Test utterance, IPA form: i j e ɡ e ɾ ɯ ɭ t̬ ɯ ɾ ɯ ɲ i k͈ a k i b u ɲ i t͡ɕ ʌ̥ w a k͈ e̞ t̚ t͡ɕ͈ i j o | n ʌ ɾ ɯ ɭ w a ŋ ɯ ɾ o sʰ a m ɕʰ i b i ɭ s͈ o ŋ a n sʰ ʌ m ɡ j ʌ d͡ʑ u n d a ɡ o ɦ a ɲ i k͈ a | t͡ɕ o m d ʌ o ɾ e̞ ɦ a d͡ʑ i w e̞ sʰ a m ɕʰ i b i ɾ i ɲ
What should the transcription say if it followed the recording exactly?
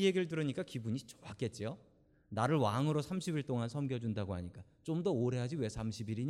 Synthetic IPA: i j e ɡ i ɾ ɯ ɭ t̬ ɯ ɾ ɯ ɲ i k͈ a k i b u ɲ i t͡ɕ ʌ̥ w a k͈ e̞ t̚ t͡ɕ͈ i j o | n a ɾ ɯ ɭ w a ŋ ɯ ɾ o sʰ a m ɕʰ i b i ɭ t͈ o ŋ a n sʰ ʌ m ɡ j ʌ d͡ʑ u n d a ɡ o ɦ a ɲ i k͈ a | t͡ɕ o m d ʌ o ɾ e̞ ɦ a d͡ʑ i w e̞ sʰ a m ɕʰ i b i ɾ i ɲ